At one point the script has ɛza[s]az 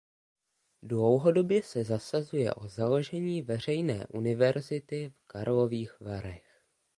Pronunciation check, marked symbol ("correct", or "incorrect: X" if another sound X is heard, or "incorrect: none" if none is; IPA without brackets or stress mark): correct